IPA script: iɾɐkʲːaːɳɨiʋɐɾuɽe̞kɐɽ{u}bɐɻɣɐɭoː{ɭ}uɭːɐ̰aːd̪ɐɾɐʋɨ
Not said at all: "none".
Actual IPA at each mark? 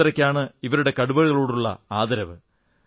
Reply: u, ɽ

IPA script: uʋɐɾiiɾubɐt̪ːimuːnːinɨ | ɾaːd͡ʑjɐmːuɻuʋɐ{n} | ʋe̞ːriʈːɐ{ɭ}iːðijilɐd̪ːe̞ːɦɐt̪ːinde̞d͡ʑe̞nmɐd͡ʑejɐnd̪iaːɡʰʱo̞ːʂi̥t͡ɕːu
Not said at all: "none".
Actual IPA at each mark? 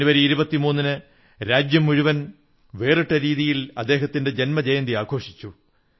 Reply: n, ɾ

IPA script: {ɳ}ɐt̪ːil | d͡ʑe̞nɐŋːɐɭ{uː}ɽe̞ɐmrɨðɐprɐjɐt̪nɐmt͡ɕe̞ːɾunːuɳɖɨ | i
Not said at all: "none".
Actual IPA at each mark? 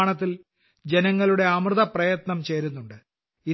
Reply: ɳ, u

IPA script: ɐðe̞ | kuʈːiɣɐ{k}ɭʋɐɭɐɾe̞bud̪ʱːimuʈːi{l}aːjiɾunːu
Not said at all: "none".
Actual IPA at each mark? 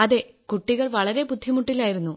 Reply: none, l

